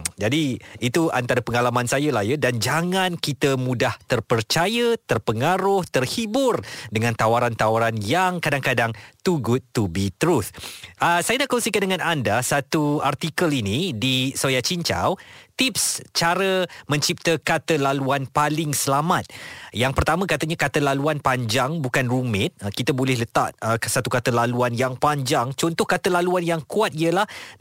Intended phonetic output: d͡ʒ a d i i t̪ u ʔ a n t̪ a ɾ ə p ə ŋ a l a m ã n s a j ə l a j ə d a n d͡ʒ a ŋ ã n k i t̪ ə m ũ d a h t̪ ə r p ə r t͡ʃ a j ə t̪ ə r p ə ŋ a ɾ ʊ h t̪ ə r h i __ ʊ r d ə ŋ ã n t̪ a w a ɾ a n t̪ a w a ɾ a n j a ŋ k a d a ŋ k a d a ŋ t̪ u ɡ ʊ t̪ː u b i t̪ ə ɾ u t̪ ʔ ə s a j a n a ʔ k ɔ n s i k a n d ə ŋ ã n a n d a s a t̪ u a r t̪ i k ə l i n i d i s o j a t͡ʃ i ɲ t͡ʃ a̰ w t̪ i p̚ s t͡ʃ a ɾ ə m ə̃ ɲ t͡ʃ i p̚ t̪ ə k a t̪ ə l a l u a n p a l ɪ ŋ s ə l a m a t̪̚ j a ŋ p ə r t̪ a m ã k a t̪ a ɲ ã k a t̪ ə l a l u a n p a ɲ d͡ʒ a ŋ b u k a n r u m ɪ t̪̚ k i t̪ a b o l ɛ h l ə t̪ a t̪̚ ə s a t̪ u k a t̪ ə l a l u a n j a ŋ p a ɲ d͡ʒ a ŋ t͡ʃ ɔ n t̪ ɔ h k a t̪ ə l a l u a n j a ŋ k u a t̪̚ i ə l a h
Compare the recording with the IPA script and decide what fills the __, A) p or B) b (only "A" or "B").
B